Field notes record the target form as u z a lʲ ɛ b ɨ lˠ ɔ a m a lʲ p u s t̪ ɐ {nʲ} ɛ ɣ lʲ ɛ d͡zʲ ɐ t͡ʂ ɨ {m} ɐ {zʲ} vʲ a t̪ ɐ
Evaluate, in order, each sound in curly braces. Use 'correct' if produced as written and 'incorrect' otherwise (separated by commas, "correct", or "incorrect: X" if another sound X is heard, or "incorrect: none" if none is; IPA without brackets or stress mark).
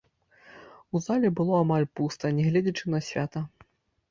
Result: correct, incorrect: n, incorrect: sʲ